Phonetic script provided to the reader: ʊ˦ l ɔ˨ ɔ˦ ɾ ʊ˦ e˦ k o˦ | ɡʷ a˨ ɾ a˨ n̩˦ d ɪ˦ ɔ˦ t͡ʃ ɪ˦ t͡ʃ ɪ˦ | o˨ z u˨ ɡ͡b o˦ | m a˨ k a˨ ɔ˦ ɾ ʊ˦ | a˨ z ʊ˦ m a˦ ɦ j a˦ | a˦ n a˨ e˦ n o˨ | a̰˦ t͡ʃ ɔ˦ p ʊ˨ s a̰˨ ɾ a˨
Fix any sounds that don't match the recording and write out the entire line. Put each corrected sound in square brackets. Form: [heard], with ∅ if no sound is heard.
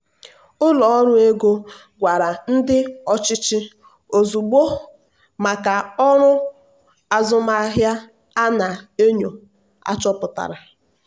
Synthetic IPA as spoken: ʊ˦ l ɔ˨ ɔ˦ ɾ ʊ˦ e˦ [ɡ] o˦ | ɡʷ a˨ ɾ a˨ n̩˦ d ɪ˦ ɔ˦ t͡ʃ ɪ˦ t͡ʃ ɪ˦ | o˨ z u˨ ɡ͡b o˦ | m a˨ k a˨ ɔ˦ ɾ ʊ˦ | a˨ z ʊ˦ m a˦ ɦ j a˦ | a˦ n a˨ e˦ [ɲ] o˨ | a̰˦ t͡ʃ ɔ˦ p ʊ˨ [t] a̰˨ ɾ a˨